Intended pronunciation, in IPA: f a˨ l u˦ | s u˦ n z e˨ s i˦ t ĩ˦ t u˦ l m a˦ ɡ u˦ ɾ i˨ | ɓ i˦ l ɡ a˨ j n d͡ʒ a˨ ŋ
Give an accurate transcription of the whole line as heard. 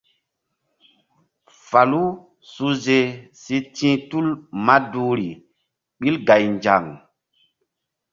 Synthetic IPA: f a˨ l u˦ | s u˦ z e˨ s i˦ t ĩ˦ t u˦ l m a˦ d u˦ ɾ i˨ | ɓ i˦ l ɡ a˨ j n d͡ʒ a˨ ŋ